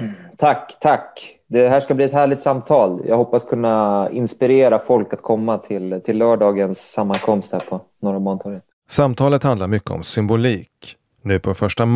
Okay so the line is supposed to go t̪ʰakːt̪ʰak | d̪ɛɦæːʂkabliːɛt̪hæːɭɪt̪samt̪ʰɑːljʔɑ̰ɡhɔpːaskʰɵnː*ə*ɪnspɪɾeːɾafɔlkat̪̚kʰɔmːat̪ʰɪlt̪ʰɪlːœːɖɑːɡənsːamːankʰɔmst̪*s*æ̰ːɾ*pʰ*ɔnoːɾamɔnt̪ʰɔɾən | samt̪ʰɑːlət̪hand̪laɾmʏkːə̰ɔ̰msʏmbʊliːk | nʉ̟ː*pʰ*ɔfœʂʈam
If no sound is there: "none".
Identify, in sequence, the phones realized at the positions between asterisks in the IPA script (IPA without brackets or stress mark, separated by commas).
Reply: a, h, pʰ, pʰ